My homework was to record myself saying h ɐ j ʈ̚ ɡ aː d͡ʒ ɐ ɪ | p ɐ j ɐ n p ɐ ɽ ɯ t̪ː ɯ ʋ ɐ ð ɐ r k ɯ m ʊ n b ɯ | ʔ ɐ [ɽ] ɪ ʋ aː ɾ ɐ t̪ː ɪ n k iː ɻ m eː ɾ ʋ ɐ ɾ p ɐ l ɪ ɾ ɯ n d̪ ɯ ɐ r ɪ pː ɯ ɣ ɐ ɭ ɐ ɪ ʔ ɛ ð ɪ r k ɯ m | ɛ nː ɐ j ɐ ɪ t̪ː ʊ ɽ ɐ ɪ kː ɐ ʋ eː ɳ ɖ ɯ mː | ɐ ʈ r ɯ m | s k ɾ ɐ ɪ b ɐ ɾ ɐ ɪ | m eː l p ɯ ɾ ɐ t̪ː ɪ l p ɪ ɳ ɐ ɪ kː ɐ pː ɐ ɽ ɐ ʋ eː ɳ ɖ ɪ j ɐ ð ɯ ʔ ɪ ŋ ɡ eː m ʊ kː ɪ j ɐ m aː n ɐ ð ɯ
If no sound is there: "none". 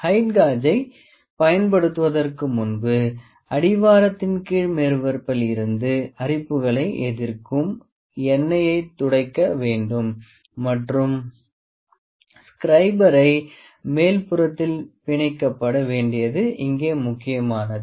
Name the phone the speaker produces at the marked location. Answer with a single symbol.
ɽ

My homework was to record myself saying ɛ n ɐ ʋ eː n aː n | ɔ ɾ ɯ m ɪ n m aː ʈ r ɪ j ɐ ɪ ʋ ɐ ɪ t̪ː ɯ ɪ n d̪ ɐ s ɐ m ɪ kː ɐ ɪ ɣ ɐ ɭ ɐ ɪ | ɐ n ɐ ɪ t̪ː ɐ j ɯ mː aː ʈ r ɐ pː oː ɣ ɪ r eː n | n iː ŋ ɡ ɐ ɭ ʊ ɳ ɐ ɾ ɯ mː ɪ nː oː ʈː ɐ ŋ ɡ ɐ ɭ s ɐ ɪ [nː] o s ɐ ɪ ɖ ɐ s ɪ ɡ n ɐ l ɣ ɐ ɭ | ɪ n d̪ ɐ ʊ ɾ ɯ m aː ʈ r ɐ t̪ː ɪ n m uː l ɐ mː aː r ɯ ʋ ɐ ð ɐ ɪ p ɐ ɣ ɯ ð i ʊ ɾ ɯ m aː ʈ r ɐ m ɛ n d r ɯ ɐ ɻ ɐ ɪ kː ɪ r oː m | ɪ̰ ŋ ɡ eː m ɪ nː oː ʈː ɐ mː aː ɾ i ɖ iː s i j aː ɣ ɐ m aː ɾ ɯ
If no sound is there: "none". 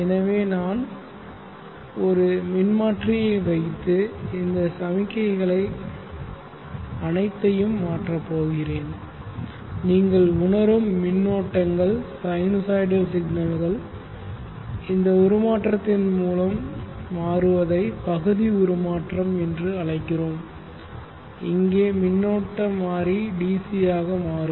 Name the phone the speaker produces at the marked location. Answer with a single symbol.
n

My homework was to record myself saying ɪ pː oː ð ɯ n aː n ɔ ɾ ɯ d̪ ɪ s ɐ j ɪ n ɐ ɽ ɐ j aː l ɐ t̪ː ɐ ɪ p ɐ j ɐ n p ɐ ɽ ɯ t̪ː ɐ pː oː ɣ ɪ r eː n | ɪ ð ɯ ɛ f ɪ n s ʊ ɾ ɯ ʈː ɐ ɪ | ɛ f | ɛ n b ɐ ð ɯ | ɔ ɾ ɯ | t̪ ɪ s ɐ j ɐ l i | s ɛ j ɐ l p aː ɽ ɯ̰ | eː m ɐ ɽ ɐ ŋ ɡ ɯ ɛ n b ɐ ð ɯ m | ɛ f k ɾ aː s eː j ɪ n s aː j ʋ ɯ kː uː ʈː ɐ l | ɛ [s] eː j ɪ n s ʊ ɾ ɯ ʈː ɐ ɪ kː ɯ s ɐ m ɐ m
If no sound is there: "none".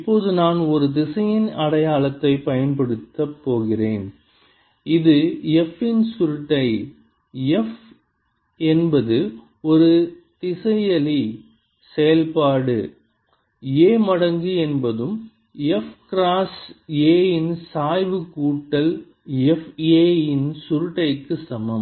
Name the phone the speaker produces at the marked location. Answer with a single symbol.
f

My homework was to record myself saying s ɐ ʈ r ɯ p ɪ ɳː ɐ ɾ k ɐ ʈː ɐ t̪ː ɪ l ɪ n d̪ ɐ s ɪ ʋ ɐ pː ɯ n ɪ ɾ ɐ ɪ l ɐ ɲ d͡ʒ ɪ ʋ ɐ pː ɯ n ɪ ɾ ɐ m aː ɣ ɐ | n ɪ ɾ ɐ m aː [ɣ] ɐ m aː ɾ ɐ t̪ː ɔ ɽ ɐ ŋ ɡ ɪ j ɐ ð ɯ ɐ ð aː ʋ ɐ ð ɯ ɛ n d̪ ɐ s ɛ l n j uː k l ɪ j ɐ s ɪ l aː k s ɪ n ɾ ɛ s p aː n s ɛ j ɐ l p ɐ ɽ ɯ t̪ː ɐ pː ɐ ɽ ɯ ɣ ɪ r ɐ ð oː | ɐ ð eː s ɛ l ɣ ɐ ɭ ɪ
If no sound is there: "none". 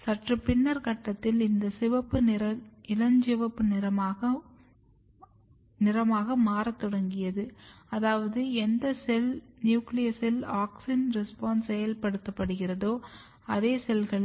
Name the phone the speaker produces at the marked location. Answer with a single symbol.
ɣ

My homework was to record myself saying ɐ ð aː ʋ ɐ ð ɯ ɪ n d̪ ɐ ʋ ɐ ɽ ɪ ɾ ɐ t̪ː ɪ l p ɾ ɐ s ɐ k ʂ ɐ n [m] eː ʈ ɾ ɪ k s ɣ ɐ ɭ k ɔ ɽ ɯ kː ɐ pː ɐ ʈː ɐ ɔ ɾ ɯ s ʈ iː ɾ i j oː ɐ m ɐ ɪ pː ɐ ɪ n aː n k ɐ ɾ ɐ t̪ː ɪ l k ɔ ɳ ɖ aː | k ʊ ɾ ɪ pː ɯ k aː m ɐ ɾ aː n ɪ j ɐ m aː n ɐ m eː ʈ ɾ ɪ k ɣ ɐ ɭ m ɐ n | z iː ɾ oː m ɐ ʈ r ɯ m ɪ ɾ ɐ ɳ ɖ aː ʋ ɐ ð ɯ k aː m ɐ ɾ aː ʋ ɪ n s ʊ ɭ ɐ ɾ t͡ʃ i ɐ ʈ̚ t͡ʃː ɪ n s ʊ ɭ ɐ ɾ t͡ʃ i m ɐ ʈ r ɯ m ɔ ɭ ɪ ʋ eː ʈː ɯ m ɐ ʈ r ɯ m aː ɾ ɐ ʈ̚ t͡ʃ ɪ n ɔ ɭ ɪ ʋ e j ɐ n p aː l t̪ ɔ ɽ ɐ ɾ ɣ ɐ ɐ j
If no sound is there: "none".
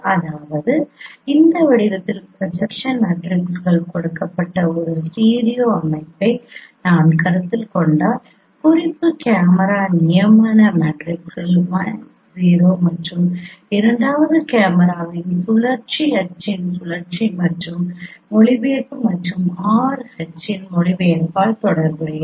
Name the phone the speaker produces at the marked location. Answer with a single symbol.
m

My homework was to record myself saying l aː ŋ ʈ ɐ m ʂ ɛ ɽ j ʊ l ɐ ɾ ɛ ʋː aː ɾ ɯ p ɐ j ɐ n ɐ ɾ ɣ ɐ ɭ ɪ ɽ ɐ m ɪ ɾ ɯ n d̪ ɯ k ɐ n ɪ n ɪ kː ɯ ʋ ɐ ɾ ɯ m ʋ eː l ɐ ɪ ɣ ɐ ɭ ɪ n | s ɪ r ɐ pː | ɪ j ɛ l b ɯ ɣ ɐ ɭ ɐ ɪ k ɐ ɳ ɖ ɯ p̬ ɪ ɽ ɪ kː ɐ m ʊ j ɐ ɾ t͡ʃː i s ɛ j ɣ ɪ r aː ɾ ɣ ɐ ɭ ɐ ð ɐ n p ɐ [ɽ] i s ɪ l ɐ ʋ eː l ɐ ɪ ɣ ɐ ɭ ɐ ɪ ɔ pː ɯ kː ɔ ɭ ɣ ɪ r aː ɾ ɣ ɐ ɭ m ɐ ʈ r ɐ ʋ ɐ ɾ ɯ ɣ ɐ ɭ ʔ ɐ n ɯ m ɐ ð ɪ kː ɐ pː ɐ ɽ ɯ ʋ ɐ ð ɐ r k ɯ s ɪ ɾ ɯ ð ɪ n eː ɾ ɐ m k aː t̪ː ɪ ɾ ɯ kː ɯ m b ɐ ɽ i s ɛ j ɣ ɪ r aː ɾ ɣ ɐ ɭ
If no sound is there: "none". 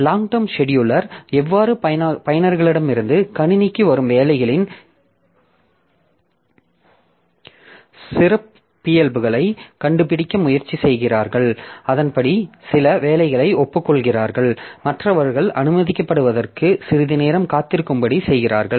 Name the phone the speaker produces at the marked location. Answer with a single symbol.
ɽ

